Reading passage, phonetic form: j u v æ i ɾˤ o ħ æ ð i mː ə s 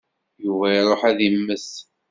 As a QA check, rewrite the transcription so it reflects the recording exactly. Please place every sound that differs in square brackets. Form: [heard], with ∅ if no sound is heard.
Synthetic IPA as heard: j u v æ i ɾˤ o ħ æ ð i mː ə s